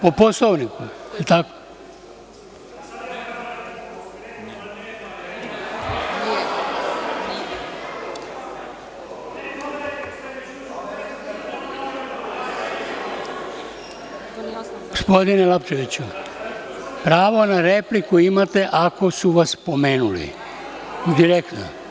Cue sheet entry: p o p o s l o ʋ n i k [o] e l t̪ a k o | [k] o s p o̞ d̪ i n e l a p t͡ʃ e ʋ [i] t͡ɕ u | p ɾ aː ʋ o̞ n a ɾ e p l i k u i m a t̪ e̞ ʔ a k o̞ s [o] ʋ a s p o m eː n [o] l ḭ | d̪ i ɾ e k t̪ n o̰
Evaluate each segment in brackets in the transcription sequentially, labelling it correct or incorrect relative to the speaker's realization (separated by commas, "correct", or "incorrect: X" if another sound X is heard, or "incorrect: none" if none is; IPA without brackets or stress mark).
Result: incorrect: u, incorrect: ɡ, correct, incorrect: u, incorrect: u